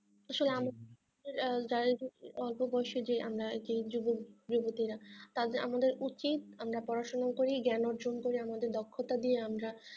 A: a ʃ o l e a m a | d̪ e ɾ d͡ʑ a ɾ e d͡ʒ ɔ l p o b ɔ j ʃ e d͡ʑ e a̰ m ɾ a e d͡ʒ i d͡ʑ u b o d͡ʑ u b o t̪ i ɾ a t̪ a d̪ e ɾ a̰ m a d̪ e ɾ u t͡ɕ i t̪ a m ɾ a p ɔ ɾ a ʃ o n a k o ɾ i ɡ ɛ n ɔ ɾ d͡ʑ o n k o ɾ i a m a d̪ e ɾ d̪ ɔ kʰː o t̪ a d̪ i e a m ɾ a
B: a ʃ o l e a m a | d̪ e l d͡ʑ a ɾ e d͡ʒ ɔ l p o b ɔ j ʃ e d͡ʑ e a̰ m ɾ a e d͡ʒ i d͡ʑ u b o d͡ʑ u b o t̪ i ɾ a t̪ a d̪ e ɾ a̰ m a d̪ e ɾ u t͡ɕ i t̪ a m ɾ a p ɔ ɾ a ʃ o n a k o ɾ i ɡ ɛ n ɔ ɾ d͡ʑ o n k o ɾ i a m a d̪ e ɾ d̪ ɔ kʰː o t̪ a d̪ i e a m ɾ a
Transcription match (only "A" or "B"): A